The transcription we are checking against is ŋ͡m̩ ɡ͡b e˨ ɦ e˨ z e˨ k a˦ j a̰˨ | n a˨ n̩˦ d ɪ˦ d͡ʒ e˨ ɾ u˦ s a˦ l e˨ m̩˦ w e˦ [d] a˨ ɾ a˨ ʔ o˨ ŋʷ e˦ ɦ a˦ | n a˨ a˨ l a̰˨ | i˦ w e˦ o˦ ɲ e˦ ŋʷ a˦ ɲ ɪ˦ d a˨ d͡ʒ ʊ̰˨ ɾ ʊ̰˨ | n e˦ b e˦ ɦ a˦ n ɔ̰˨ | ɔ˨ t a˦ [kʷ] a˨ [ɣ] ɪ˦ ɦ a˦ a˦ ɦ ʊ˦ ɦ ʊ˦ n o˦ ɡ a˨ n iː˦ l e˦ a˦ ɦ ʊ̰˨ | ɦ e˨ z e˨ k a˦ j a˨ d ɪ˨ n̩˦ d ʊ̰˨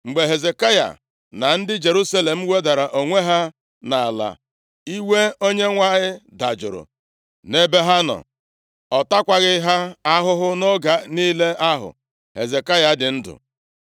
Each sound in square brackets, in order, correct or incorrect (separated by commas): correct, correct, correct